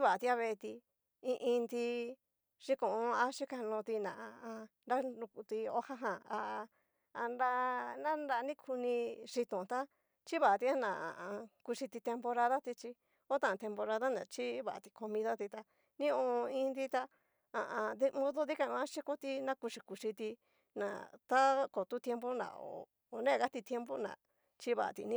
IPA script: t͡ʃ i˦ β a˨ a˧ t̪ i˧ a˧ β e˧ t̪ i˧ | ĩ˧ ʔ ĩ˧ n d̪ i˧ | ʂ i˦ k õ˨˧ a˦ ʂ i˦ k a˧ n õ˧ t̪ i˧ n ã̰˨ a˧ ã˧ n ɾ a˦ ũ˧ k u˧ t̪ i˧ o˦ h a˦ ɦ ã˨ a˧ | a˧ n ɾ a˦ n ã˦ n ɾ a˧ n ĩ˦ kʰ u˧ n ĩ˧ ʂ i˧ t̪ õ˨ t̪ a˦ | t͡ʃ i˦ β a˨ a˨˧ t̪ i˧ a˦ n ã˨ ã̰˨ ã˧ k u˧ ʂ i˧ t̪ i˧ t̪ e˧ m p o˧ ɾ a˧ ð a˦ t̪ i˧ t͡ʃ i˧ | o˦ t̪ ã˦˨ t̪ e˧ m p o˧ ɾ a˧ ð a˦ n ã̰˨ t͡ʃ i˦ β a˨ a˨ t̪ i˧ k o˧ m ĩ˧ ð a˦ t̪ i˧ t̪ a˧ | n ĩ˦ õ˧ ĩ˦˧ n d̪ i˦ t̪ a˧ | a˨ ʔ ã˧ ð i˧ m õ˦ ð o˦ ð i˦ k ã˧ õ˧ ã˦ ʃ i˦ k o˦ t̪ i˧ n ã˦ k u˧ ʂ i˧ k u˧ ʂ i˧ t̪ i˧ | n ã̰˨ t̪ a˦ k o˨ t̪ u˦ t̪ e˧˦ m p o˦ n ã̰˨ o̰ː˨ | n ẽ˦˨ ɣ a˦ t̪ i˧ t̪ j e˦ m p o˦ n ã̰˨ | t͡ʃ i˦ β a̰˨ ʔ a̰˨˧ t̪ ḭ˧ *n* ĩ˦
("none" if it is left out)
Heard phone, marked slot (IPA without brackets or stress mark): n